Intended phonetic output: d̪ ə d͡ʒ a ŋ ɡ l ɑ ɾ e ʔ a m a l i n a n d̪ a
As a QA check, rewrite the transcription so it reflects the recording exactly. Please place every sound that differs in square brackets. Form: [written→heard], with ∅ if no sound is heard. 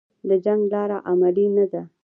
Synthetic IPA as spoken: d̪ ə d͡ʒ a ŋ ɡ l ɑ ɾ [e→a] ʔ a m a l i n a [n→∅] d̪ a